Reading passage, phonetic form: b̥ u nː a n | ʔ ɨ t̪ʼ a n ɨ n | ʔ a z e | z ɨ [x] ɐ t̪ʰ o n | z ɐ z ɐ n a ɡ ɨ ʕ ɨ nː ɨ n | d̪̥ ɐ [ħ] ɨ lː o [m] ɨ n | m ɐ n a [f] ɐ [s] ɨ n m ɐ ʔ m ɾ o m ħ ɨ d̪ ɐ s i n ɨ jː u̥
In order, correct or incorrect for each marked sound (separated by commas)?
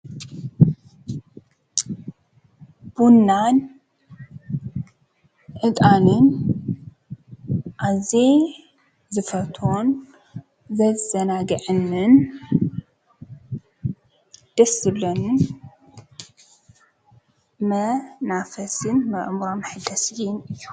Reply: incorrect, incorrect, incorrect, correct, correct